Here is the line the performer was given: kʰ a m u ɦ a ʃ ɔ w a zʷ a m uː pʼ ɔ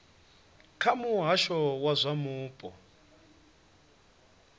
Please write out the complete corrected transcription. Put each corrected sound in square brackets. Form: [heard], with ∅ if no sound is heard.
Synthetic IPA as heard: kʰ a m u ɦ a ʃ ɔ w a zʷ a m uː pʼ ɔ